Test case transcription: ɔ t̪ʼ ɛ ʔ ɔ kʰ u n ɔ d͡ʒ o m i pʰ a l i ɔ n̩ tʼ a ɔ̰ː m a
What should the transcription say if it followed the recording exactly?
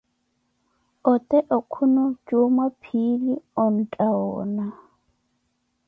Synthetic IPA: ɔ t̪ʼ ɛ ʔ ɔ kʰ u n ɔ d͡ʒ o m a pʰ i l i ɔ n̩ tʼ a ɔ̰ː n a